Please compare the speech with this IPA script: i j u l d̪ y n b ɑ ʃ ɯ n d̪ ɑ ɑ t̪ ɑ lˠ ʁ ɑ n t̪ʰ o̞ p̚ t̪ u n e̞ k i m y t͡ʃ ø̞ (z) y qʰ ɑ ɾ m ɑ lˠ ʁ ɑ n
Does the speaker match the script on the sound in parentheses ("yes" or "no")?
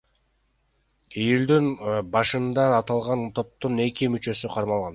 no